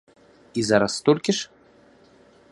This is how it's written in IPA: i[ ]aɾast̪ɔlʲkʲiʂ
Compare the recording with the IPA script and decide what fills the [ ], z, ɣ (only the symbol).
z